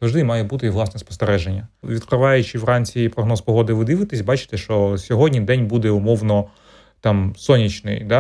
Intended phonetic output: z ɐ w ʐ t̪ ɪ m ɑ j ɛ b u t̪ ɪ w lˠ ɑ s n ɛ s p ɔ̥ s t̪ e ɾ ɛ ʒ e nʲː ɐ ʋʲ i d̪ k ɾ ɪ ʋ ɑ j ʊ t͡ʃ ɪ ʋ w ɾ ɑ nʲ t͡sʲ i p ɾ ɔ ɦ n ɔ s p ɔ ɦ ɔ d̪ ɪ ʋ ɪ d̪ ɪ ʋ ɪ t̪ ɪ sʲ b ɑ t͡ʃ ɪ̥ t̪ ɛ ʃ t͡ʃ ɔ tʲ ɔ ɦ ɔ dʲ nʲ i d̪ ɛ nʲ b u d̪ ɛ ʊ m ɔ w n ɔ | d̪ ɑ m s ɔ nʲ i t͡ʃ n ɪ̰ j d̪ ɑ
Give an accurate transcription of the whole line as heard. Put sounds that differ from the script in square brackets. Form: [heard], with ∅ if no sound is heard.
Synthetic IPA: z ɐ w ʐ [d̪] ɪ m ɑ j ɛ b u t̪ ɪ [ʋ] lˠ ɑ s n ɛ s p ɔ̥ s t̪ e ɾ ɛ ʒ e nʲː ɐ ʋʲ i d̪ k ɾ ɪ ʋ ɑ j ʊ t͡ʃ ɪ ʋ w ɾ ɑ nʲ t͡sʲ i p ɾ ɔ ɦ n ɔ s p ɔ ɦ ɔ d̪ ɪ ʋ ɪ d̪ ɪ ʋ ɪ t̪ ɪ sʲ b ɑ t͡ʃ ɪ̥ t̪ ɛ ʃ t͡ʃ ɔ [sʲ] ɔ ɦ ɔ dʲ nʲ i d̪ ɛ nʲ b u d̪ ɛ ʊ m ɔ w n ɔ | [t̪] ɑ m s ɔ nʲ i t͡ʃ n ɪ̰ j d̪ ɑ